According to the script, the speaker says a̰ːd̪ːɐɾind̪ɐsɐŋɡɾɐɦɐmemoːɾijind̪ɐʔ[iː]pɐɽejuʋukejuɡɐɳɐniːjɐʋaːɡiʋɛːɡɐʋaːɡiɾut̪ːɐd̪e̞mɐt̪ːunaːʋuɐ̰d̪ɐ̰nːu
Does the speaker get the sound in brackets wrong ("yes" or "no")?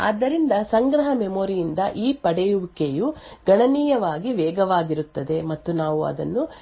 no